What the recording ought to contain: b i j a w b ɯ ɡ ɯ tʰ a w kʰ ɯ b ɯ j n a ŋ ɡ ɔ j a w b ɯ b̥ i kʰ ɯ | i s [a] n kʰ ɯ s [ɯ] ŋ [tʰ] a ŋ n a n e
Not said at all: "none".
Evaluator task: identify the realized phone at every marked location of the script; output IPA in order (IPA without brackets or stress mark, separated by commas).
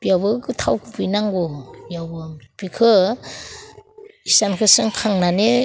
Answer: a, ɯ, kʰ